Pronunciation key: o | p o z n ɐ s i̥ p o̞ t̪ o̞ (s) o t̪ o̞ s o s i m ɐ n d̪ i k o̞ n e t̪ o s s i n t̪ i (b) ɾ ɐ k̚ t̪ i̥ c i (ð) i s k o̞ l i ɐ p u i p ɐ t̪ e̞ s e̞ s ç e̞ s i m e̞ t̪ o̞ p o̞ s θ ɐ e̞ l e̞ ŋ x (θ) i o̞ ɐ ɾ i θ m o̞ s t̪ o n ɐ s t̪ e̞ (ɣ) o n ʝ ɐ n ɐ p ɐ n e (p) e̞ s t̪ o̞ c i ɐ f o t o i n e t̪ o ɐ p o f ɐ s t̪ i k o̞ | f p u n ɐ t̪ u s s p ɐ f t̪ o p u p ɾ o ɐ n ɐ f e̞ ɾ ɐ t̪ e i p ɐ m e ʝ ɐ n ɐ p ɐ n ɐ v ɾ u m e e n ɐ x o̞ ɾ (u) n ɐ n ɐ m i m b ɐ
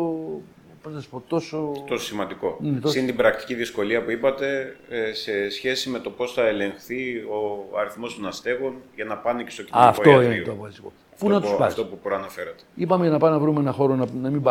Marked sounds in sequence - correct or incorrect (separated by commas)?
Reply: correct, correct, correct, correct, correct, incorrect, incorrect